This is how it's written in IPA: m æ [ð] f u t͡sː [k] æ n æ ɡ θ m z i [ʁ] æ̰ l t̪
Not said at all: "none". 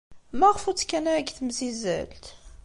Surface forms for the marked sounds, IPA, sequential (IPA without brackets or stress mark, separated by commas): ʁ, k, z